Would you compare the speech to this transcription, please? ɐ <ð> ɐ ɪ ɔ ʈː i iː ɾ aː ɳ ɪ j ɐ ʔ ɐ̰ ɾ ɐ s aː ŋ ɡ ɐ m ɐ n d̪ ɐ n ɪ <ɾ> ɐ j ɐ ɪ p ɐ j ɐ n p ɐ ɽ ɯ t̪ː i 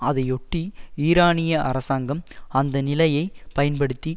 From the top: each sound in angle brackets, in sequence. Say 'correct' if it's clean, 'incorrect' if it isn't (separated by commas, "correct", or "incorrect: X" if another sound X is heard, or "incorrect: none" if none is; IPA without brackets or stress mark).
correct, incorrect: l